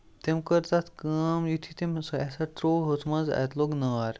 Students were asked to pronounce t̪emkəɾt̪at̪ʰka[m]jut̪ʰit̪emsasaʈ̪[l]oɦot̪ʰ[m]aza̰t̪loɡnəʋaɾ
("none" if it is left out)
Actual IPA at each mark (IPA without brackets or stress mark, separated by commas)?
m, ɾ, m